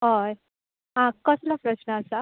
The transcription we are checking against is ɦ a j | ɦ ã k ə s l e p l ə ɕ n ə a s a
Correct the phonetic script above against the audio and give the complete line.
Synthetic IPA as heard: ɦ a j | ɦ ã k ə s l a p ɾ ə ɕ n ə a s a